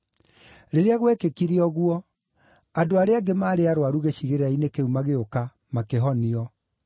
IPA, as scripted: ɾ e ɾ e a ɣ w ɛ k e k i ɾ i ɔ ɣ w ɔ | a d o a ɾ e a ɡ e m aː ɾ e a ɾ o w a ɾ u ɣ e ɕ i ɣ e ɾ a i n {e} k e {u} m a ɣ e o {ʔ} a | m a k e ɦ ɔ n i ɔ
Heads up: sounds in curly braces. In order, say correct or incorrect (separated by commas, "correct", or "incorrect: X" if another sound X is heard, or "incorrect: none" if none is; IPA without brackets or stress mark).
correct, correct, incorrect: k